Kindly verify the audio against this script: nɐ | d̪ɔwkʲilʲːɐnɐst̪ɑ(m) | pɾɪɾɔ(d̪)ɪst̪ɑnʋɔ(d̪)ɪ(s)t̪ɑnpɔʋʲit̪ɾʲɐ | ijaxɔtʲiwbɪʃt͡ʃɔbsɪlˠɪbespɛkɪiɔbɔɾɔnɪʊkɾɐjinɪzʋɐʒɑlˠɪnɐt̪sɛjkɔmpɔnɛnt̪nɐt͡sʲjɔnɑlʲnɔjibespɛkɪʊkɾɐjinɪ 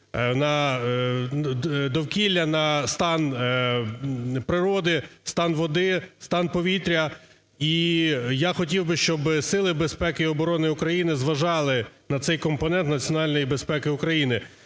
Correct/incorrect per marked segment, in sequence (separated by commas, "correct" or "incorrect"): incorrect, correct, correct, correct